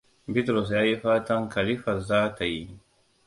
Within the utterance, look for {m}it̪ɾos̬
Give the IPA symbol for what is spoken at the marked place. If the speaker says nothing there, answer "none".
b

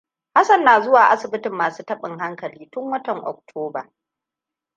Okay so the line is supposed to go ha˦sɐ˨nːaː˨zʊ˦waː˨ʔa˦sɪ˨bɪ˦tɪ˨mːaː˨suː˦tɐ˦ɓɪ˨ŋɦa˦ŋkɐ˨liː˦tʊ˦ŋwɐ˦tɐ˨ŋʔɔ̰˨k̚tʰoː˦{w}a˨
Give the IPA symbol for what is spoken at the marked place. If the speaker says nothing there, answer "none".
b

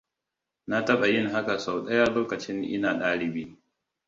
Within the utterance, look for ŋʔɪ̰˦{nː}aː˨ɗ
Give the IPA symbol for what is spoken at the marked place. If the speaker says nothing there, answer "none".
n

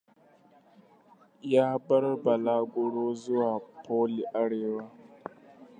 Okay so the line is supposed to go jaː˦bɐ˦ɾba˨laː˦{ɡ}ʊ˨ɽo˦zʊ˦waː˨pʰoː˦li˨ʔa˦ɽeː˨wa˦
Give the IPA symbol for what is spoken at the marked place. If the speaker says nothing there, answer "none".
ɡ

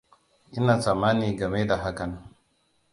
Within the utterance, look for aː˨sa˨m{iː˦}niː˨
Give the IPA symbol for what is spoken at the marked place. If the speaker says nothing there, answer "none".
aː˦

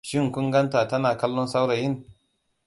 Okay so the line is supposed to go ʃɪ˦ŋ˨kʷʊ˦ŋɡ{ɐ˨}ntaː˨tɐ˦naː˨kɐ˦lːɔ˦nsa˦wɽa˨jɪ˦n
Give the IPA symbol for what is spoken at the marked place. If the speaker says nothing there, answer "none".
ɐ˦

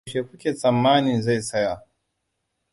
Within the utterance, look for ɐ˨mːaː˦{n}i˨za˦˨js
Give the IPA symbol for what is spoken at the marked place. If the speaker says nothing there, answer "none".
n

